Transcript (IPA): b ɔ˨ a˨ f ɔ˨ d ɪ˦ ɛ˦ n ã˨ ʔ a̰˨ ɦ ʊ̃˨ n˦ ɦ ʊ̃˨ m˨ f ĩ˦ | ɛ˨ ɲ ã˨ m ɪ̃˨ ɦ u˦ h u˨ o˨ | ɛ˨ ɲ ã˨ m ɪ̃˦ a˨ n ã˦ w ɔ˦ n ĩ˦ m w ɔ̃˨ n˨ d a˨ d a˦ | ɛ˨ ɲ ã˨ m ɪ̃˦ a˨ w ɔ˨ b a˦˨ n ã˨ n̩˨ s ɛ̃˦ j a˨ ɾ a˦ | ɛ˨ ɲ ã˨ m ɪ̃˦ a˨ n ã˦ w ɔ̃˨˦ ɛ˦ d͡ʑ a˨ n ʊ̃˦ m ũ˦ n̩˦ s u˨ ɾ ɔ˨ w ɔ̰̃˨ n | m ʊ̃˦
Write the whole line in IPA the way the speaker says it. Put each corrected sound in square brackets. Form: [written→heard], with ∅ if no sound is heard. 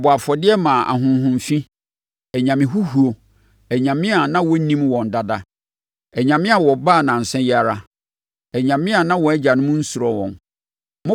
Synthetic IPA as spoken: b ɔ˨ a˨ f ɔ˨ d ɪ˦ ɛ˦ [n→m] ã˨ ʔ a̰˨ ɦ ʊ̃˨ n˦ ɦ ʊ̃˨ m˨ f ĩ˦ | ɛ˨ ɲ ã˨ m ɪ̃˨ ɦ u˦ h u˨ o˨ | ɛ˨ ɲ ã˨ m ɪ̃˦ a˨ n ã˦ w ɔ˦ n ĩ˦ m w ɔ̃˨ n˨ d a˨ d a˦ | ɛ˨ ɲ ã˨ m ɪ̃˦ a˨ w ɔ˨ b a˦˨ n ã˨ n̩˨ s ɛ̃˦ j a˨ ɾ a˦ | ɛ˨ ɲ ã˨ m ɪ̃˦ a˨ n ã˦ w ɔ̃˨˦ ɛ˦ d͡ʑ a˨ n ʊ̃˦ m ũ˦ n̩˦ s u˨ ɾ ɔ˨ w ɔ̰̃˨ n | m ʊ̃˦

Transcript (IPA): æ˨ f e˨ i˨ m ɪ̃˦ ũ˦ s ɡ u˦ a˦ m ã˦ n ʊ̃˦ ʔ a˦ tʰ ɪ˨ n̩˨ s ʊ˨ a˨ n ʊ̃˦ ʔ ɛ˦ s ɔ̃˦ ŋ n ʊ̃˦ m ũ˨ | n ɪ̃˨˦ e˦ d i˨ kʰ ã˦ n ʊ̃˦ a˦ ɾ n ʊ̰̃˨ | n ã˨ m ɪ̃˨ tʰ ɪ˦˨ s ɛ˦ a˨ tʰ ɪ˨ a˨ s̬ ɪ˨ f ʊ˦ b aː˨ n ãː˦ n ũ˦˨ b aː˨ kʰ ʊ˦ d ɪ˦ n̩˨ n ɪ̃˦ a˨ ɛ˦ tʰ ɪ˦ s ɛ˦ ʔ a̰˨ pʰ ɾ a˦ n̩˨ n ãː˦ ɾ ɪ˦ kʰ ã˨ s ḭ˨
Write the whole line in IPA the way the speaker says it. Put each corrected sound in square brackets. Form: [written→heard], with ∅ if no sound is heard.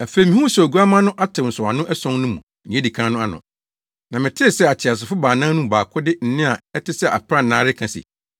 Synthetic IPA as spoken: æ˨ f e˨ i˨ m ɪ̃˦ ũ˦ s ɡ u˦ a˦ m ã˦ n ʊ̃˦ ʔ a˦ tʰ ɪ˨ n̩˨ s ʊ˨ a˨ n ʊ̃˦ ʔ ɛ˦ s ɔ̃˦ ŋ n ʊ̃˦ m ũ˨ | n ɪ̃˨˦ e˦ d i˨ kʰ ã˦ n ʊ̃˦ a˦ [ɾ→∅] n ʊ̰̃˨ | n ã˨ m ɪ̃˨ tʰ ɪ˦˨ s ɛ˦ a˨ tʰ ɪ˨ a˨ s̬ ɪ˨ f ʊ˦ b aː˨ n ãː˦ n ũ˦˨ b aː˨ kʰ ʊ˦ d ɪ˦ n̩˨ n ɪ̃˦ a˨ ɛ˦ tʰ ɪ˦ s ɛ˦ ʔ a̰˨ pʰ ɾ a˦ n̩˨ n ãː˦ ɾ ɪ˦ kʰ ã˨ s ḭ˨

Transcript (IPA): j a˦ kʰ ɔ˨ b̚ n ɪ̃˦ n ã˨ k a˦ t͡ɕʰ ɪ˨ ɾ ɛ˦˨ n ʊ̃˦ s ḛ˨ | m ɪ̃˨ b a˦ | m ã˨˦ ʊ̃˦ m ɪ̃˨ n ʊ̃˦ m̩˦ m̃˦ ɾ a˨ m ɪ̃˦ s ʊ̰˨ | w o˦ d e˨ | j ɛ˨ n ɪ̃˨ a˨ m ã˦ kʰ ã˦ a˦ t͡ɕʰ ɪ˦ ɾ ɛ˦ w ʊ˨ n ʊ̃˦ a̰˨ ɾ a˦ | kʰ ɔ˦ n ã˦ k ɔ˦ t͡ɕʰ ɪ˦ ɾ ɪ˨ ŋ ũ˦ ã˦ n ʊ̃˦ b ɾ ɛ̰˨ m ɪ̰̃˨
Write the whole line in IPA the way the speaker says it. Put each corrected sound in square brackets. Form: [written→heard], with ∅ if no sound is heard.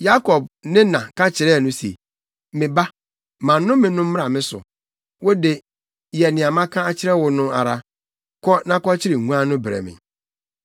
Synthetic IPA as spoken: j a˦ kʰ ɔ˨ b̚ n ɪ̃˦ n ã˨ k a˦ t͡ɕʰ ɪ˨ ɾ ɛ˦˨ n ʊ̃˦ s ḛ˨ | m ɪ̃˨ b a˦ | m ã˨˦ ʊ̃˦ m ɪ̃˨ n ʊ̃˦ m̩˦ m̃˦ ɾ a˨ m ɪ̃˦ s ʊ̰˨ | w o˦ d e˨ | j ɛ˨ n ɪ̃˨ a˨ m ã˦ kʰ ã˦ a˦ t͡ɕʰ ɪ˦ ɾ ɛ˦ w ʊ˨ n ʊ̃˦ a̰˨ ɾ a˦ | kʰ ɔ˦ n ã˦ k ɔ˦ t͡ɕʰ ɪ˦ ɾ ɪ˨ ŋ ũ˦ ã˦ n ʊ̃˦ b ɾ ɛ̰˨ m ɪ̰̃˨

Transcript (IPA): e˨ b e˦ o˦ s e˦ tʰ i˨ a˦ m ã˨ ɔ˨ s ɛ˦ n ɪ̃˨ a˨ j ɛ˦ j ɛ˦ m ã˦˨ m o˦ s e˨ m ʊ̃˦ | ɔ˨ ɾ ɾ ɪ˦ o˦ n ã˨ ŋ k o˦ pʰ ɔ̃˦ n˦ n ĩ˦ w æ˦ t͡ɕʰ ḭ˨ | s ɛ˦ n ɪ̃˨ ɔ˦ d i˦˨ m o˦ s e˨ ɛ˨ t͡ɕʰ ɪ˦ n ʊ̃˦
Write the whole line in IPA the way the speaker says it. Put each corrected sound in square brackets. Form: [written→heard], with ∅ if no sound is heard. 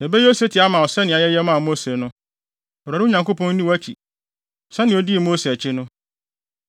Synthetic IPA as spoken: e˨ b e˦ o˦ s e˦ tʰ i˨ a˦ m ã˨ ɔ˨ s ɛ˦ n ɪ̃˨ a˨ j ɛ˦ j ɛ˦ m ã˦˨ m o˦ s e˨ [m→n] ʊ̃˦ | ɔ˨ ɾ ɾ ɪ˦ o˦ [n→ɲ] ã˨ ŋ k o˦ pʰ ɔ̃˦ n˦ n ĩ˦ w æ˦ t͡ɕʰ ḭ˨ | s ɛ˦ n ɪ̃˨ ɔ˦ d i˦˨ m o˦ s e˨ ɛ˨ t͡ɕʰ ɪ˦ n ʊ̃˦

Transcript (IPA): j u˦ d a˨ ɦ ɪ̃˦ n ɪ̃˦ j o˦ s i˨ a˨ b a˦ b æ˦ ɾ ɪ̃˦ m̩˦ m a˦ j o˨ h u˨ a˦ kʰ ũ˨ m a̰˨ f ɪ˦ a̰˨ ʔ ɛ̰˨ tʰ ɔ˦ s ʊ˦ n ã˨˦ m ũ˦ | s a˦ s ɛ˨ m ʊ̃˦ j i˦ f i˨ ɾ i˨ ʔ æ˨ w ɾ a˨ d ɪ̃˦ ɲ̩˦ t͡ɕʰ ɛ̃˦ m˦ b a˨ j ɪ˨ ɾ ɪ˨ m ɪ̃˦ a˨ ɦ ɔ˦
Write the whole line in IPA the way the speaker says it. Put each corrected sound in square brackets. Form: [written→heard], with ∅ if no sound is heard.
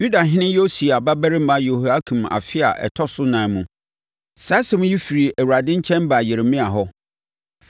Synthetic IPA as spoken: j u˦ d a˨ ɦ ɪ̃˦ n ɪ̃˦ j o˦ s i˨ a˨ b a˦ b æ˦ ɾ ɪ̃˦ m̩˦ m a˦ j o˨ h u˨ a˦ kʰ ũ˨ m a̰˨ f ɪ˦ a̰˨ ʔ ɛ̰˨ tʰ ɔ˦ s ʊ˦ n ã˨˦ m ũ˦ | s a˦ s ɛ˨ m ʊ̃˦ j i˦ f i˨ ɾ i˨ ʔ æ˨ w ɾ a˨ d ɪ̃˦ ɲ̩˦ t͡ɕʰ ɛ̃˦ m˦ b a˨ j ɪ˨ ɾ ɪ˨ m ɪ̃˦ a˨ ɦ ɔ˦

